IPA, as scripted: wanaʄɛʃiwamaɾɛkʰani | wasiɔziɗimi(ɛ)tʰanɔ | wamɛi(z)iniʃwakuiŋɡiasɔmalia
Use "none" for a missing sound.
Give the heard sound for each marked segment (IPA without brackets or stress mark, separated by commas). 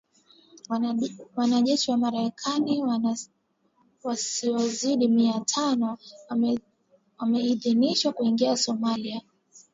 a, ð